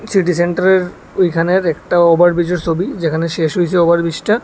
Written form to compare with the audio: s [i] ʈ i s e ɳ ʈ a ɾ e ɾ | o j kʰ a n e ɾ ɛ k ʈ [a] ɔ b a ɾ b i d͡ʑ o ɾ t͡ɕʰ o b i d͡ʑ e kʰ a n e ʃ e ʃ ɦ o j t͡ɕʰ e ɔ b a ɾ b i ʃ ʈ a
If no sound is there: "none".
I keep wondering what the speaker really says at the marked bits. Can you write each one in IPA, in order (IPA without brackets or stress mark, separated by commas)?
i, a